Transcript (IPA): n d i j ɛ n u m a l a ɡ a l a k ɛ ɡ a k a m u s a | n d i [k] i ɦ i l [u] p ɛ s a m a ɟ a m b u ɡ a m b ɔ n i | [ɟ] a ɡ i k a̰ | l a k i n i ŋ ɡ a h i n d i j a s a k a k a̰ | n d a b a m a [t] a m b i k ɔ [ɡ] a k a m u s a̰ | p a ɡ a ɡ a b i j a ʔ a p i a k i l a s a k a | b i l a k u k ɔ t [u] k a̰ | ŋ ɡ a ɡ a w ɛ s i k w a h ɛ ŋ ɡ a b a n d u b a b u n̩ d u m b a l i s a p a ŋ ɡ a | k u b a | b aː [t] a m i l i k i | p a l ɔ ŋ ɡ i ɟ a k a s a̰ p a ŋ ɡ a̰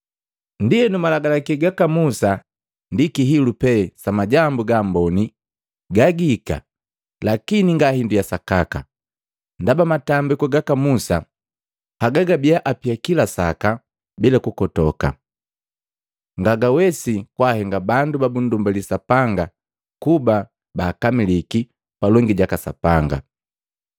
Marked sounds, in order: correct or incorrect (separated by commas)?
correct, correct, incorrect, correct, correct, incorrect, incorrect